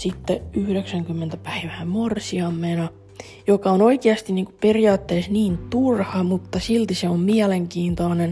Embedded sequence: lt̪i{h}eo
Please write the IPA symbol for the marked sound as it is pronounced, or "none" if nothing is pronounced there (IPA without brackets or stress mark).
s